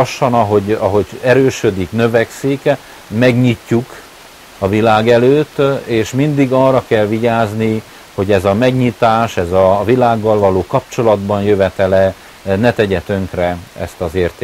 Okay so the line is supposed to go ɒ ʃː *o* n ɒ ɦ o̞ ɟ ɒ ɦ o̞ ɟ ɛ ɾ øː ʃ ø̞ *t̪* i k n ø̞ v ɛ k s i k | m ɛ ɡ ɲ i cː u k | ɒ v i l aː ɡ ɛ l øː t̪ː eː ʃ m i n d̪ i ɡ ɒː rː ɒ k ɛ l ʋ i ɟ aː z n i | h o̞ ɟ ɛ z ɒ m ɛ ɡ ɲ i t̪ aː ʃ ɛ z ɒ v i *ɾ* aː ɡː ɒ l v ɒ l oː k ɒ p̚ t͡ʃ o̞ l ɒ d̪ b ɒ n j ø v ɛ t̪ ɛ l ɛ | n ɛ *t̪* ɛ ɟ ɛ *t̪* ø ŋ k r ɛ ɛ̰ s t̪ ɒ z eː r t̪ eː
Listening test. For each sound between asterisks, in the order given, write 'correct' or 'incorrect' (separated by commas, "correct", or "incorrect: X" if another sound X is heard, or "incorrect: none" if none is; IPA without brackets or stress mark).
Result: incorrect: ɒ, incorrect: d̪, incorrect: l, correct, correct